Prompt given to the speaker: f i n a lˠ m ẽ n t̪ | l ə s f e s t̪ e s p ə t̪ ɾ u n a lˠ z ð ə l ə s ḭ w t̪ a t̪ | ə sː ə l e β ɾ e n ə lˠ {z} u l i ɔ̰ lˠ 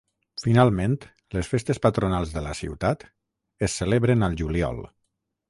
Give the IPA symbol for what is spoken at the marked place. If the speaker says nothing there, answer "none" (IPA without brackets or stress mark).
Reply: ʒ